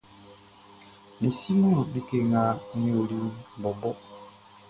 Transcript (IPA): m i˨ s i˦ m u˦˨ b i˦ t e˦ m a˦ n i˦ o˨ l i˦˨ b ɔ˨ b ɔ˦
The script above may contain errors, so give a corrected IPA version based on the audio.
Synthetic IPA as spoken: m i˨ s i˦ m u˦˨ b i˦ k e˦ ŋ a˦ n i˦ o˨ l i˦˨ b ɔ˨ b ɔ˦